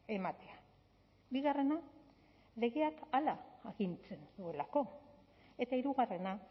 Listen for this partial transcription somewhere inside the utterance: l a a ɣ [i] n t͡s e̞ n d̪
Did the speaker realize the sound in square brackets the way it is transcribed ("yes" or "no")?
yes